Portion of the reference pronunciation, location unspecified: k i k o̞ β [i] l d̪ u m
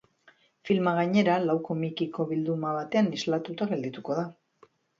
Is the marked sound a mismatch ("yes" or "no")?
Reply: no